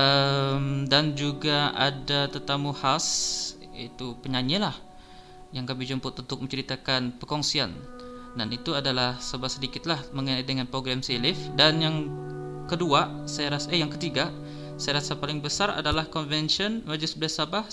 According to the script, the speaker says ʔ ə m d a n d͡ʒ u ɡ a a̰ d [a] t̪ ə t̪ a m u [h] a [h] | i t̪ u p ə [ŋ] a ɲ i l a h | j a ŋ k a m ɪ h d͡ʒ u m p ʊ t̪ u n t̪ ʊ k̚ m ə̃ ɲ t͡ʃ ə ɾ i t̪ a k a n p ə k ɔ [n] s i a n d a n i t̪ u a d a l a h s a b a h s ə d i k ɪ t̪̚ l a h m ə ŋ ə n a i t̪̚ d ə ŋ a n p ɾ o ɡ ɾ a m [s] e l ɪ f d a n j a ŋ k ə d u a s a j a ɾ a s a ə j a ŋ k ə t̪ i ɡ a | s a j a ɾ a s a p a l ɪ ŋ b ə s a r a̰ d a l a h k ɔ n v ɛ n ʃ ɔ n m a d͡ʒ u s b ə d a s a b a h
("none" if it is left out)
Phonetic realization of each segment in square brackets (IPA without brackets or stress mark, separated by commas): a, h, s, ɲ, ŋ, s